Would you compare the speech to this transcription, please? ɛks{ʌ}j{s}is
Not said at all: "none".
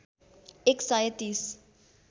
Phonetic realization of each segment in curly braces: a, t

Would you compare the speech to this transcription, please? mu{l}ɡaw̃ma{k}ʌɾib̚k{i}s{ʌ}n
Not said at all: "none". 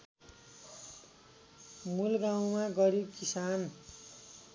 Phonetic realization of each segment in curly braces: l, ɡ, i, a

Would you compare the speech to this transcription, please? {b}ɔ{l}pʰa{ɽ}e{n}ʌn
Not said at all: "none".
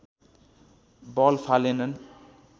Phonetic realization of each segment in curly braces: b, l, l, n

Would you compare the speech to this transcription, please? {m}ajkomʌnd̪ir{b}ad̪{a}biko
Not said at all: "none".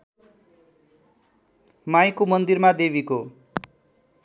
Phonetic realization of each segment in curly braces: m, m, e

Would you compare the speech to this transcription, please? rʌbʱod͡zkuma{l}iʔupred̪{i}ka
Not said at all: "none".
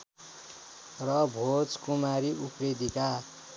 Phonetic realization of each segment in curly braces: ɾ, i

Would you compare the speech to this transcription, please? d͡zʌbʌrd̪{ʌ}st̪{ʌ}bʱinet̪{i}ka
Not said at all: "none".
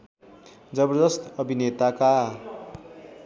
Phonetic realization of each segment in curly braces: ʌ, ʌ, a

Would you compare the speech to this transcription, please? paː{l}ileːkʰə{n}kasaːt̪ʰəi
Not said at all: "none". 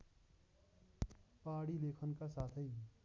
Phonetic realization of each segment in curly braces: ɽ, n

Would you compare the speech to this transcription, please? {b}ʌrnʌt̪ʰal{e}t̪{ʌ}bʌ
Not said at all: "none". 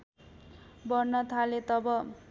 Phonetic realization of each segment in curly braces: b, e, ʌ

